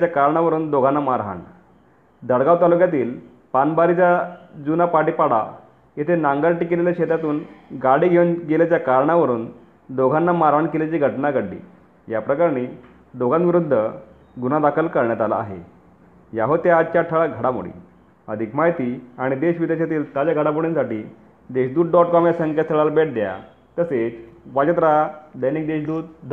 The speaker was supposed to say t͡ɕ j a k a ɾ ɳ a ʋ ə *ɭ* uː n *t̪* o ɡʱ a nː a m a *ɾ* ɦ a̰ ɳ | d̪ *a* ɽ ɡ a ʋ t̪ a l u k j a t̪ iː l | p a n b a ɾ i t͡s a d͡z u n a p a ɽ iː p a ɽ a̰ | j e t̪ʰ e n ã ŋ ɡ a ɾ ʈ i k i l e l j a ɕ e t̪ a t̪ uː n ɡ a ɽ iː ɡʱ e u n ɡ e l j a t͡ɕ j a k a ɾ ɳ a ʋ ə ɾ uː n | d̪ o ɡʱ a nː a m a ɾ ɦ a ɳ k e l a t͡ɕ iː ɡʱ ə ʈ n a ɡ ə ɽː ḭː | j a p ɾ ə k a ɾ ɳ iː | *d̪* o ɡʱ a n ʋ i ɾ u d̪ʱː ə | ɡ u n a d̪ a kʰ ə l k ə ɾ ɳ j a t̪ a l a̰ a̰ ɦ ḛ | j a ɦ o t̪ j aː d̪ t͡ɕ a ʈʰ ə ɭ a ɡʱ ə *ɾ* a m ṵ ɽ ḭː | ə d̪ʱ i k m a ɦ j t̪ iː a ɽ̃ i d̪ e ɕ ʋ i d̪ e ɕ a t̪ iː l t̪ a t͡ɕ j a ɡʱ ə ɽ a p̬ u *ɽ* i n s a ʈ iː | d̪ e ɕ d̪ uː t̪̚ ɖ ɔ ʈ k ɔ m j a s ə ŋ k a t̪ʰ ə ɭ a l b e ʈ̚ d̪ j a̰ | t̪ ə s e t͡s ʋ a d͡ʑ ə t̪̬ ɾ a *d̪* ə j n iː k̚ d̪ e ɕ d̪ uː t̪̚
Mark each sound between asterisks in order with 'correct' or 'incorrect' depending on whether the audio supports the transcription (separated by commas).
incorrect, incorrect, correct, incorrect, correct, incorrect, correct, correct